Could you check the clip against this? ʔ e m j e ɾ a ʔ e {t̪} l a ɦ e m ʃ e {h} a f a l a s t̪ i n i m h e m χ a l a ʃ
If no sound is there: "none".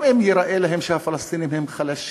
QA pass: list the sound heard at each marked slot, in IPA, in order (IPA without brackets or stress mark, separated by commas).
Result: none, h